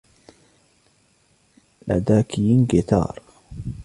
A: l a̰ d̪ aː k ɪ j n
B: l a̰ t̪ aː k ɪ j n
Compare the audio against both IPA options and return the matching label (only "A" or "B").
A